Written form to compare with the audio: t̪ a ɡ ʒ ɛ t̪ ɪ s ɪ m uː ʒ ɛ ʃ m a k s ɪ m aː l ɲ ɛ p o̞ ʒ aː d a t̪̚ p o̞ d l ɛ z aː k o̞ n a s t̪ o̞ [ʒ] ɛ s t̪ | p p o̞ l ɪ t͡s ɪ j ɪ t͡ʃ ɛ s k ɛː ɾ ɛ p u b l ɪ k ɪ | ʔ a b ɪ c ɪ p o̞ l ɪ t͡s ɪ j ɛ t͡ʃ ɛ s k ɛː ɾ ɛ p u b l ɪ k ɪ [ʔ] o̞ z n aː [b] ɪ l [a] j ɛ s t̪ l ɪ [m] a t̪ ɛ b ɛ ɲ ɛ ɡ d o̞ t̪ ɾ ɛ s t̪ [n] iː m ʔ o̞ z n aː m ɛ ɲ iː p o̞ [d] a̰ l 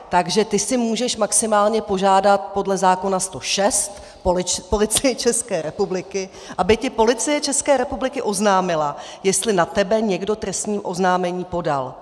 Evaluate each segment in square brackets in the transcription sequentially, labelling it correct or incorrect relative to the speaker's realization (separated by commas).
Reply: incorrect, correct, incorrect, correct, incorrect, incorrect, correct